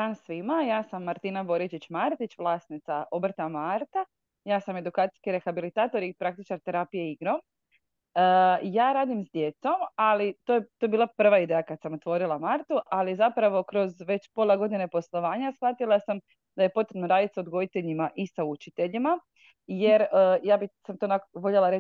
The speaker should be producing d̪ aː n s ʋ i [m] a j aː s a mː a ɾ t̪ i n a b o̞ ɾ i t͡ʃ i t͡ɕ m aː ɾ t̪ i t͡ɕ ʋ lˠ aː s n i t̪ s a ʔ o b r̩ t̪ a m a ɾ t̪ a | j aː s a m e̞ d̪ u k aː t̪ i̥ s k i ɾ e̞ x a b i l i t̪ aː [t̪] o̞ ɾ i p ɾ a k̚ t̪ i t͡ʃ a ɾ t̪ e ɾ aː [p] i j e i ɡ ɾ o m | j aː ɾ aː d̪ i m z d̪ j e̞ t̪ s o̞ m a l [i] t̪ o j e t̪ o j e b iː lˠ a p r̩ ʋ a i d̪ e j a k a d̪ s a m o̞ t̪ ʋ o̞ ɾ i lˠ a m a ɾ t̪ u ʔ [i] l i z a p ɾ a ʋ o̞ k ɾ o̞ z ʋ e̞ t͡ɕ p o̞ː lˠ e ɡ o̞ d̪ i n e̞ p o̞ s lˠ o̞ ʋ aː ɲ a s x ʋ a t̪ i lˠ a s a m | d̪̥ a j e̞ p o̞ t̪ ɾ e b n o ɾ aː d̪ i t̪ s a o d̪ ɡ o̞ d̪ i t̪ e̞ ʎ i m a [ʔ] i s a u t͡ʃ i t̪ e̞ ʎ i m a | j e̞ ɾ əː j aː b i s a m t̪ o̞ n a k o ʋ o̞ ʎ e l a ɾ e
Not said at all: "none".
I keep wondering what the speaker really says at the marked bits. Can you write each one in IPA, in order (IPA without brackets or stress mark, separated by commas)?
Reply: m, t̪, p, i, a, ʔ